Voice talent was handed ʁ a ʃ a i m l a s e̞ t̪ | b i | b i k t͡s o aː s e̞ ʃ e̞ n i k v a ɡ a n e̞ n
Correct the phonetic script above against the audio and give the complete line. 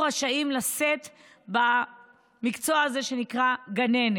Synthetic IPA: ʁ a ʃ a i m l a s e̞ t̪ | b a | m i k t͡s o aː z e̞ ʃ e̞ n i k ʁ a ɡ a n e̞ n